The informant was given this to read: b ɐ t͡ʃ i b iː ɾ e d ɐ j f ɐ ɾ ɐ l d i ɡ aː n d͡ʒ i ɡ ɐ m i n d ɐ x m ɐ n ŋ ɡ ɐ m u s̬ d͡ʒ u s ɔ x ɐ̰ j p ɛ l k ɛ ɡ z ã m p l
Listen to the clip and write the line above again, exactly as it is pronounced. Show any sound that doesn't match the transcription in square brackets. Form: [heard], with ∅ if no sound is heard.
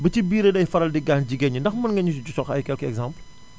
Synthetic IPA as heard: b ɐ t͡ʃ i b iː ɾ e d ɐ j f ɐ ɾ ɐ l d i ɡ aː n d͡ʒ i ɡ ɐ [ɲ] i n d ɐ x m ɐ n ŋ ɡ ɐ [ɲ] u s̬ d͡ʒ u s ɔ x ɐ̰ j [k] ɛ l k ɛ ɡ z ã m p l